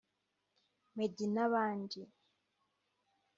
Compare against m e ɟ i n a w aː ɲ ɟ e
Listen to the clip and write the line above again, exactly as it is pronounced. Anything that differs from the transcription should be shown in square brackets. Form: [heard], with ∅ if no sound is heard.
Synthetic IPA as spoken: m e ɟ i n a [β] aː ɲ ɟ [i]